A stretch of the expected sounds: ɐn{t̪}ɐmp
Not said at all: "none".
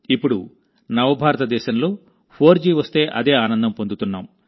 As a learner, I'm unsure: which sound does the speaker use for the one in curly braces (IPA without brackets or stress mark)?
d̪